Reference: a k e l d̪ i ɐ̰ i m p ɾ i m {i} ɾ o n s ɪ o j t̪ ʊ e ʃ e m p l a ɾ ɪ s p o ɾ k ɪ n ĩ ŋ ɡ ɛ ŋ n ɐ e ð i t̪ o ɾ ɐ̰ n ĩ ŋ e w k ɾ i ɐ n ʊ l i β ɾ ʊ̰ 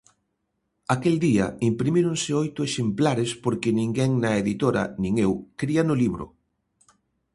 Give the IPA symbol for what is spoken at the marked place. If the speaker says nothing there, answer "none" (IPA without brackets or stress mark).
i